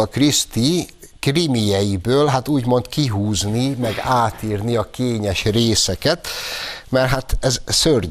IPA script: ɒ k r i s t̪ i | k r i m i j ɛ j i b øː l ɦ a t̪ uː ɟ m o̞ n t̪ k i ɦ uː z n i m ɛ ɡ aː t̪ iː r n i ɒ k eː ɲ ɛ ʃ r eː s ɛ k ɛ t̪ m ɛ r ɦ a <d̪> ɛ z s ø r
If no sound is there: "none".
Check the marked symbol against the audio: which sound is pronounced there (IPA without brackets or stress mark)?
t̪